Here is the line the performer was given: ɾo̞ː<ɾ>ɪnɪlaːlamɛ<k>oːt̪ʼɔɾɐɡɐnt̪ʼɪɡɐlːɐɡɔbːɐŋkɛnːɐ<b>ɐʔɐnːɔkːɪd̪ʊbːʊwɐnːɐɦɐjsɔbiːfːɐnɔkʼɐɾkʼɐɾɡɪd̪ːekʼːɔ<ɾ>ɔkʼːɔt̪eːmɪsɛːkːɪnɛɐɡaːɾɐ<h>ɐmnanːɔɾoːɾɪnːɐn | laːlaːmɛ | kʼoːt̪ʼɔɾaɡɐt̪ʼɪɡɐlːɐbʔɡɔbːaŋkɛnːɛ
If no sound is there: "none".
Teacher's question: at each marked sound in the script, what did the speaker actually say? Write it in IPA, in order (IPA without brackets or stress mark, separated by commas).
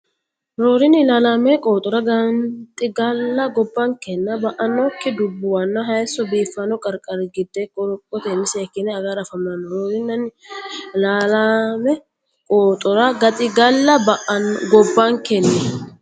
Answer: ɾ, kʼ, b, ɾ, f